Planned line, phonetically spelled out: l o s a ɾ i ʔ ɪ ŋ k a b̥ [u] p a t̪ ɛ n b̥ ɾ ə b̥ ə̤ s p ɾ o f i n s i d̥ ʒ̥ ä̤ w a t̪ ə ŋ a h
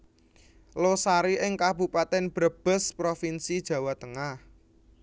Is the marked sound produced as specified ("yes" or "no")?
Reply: yes